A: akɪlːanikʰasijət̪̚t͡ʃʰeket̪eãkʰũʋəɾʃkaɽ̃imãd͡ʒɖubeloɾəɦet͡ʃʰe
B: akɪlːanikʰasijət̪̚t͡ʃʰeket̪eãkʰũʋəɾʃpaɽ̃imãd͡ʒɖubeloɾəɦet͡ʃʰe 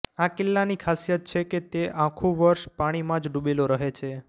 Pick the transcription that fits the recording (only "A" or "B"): B